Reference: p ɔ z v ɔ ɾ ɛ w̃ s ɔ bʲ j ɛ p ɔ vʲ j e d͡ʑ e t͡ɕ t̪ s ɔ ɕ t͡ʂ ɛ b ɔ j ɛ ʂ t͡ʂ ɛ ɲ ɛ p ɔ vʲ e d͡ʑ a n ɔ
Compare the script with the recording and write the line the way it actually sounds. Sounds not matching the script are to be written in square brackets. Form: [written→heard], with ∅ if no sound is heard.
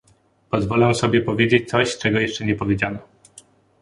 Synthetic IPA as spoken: p ɔ z v ɔ [ɾ→l] ɛ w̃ s ɔ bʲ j ɛ p ɔ vʲ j e d͡ʑ e t͡ɕ t̪ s ɔ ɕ t͡ʂ ɛ [b→ɡ] ɔ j ɛ ʂ t͡ʂ ɛ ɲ ɛ p ɔ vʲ e d͡ʑ a n ɔ

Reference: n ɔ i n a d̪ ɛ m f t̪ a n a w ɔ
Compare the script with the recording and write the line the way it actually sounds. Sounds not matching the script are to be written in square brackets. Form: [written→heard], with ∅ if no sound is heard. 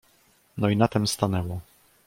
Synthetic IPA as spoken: n ɔ i n a [d̪→t̪] ɛ m [f→s] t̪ a n [a→ɛ] w ɔ

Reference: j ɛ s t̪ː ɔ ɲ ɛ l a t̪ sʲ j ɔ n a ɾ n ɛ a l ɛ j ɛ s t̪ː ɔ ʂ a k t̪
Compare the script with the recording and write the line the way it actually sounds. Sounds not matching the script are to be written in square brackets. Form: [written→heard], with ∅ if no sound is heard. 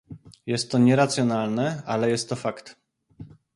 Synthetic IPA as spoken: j ɛ s t̪ː ɔ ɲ ɛ [l→ɾ] a t̪ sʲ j ɔ n a [ɾ→l] n ɛ a l ɛ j ɛ s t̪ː ɔ [ʂ→f] a k t̪

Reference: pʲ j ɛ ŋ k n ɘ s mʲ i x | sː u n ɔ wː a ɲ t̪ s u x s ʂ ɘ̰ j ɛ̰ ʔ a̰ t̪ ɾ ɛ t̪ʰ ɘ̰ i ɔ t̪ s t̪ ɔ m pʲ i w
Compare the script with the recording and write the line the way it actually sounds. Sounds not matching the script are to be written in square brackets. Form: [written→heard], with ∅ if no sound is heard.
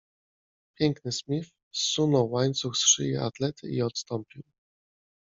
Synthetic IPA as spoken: pʲ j ɛ ŋ k n ɘ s mʲ i [x→f] | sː u n ɔ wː a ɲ t̪ s u x s ʂ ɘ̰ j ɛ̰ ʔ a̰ t̪ [ɾ→l] ɛ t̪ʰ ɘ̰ i ɔ t̪ s t̪ ɔ m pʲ i w

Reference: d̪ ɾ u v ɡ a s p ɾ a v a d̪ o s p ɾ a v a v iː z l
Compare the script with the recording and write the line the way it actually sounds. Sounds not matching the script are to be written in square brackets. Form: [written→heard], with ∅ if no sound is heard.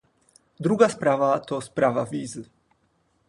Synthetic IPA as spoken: d̪ ɾ u [v→∅] ɡ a s p ɾ a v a [d̪→t̪] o s p ɾ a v a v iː z l

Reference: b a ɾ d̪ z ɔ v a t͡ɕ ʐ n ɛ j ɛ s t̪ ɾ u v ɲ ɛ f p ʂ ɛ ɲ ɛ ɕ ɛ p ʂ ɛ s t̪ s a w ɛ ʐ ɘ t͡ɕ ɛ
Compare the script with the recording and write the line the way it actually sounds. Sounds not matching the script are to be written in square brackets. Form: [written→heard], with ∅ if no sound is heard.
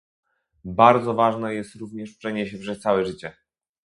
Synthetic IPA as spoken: b a ɾ d̪ z ɔ v a [t͡ɕ→∅] ʐ n ɛ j ɛ s t̪ ɾ u v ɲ ɛ [f→ʂ] p ʂ ɛ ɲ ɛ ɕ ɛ p ʂ ɛ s t̪ s a w ɛ ʐ ɘ t͡ɕ ɛ

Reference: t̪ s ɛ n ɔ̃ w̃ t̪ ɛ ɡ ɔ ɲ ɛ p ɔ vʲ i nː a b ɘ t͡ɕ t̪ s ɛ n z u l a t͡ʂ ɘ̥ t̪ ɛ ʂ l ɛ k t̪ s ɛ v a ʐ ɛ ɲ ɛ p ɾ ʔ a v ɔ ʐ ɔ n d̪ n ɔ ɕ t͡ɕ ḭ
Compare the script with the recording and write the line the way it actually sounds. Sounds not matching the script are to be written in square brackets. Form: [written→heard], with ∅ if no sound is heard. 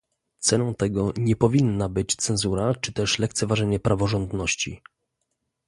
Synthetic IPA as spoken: t̪ s ɛ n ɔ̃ w̃ t̪ ɛ ɡ ɔ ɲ ɛ p ɔ vʲ i nː a b ɘ t͡ɕ t̪ s ɛ n z u [l→ɾ] a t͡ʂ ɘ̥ t̪ ɛ ʂ l ɛ k t̪ s ɛ v a ʐ ɛ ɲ ɛ p ɾ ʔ a v ɔ ʐ ɔ n d̪ n ɔ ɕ t͡ɕ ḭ

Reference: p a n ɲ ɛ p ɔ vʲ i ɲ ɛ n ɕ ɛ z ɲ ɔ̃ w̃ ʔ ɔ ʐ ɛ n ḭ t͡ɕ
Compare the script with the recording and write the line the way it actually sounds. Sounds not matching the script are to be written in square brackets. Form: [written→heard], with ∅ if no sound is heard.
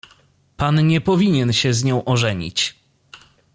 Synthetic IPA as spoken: p a n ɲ ɛ p ɔ vʲ i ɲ ɛ n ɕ ɛ z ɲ ɔ̃ w̃ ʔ ɔ ʐ ɛ [n→ɲ] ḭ t͡ɕ

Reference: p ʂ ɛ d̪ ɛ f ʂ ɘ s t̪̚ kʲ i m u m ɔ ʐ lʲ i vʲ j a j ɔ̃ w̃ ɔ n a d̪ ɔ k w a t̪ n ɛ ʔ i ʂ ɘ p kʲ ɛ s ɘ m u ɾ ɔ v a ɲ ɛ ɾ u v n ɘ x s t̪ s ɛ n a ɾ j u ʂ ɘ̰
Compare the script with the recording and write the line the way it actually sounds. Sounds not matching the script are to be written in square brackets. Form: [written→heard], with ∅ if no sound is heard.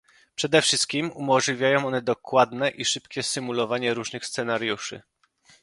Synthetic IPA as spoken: p ʂ ɛ d̪ ɛ f ʂ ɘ s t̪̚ kʲ i m u m ɔ ʐ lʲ i vʲ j a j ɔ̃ w̃ ɔ n [a→ɛ] d̪ ɔ k w a [t̪→d̪] n ɛ ʔ i ʂ ɘ p kʲ ɛ s ɘ m u [ɾ→l] ɔ v a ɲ ɛ ɾ u [v→ʐ] n ɘ x s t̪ s ɛ n a ɾ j u ʂ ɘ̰

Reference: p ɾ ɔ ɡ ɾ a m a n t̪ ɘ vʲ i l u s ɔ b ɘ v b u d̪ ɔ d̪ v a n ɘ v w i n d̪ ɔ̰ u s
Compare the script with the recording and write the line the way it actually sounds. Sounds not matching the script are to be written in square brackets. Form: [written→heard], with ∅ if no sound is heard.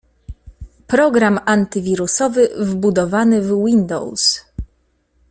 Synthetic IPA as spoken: p ɾ ɔ ɡ ɾ a m a n t̪ ɘ vʲ i [l→ɾ] u s ɔ [b→v] ɘ v b u d̪ ɔ [d̪→∅] v a n ɘ v w i n d̪ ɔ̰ [u→w] s

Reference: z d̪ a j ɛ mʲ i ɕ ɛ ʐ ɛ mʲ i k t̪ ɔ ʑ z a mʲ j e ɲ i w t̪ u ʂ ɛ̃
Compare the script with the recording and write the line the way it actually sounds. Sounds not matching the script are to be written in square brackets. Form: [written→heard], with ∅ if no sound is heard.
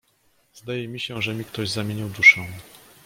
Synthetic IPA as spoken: z d̪ a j ɛ mʲ i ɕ ɛ ʐ ɛ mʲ i k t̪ ɔ ʑ z a mʲ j e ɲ i w [t̪→d̪] u ʂ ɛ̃

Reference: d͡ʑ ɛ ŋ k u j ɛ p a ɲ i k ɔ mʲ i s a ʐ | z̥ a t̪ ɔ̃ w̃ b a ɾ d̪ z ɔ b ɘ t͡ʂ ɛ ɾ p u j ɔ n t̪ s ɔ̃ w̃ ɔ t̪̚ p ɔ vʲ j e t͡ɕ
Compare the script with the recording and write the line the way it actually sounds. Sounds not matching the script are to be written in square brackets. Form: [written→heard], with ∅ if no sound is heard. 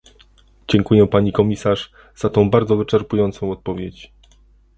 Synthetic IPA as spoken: d͡ʑ ɛ ŋ k u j ɛ p a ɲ i k ɔ mʲ i s a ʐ | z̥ a t̪ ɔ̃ w̃ b a ɾ d̪ z ɔ [b→v] ɘ t͡ʂ ɛ ɾ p u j ɔ n t̪ s ɔ̃ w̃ ɔ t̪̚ p ɔ vʲ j e t͡ɕ

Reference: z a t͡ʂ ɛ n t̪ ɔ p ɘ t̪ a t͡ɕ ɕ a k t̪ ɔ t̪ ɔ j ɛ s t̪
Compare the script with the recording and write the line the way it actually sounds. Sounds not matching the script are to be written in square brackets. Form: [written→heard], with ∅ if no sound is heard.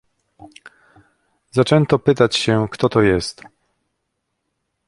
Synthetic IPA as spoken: z a t͡ʂ ɛ n t̪ ɔ p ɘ t̪ a t͡ɕ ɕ [a→ɛ] k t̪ ɔ t̪ ɔ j ɛ s t̪

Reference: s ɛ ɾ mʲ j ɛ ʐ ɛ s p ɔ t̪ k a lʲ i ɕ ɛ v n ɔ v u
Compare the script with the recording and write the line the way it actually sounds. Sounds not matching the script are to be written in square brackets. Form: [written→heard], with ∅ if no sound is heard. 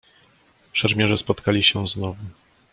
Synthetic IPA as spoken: [s→ʂ] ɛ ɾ mʲ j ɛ ʐ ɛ s p ɔ t̪ k a lʲ i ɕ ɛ [v→z] n ɔ v u

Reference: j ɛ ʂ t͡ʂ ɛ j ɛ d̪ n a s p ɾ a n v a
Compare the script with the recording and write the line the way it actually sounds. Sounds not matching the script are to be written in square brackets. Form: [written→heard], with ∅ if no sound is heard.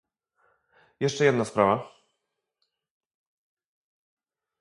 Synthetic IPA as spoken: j ɛ ʂ t͡ʂ ɛ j ɛ d̪ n a s p ɾ a [n→∅] v a

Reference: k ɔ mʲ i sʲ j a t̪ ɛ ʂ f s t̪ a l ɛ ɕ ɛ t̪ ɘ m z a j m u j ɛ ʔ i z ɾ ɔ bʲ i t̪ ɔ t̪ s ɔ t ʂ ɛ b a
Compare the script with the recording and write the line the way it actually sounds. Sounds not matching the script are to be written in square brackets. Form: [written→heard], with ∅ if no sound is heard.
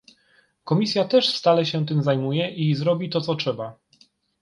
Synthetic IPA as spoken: k ɔ mʲ i sʲ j a t̪ ɛ ʂ f s t̪ a l ɛ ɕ ɛ t̪ ɘ m z a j m u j ɛ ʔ i z ɾ ɔ bʲ i t̪ ɔ t̪ s ɔ t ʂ ɛ b a

